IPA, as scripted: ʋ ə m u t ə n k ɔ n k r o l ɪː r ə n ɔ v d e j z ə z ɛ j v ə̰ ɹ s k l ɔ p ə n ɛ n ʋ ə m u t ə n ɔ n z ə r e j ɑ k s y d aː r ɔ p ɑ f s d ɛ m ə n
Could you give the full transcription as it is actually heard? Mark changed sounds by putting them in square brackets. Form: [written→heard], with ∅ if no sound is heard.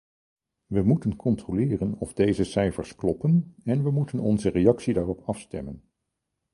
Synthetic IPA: ʋ ə m u t ə n k ɔ n [k→t] r o l ɪː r ə n ɔ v d e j z ə [z→s] ɛ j [v→f] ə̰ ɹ s k l ɔ p ə n ɛ n ʋ ə m u t ə n ɔ n z ə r e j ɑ k s [y→i] d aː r ɔ p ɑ f s [d→t] ɛ m ə n